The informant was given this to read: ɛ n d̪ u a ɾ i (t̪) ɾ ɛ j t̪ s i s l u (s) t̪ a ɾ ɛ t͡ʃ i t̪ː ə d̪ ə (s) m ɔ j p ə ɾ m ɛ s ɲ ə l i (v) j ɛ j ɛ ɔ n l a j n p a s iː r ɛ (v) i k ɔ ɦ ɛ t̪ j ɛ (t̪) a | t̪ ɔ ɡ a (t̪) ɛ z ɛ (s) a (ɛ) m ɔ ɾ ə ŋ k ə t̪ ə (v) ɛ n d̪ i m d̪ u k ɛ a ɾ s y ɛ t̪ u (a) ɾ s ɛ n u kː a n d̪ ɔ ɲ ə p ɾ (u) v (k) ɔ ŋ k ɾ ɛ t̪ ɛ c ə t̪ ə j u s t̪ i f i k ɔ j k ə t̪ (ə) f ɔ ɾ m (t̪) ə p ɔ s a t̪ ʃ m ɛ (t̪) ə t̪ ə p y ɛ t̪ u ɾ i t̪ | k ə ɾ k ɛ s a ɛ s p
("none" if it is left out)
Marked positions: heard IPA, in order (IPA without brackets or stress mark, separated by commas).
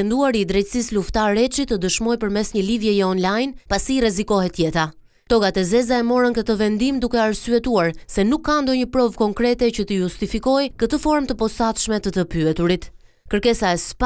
d̪, f, ʃ, v, z, t̪, t̪, z, ɛ, v, a, ɔ, k, ə, t̪, t̪